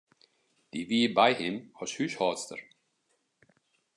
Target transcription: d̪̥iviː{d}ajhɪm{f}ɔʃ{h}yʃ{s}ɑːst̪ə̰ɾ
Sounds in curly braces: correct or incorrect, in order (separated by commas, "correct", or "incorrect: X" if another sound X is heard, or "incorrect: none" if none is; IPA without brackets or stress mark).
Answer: incorrect: b, incorrect: h, correct, incorrect: h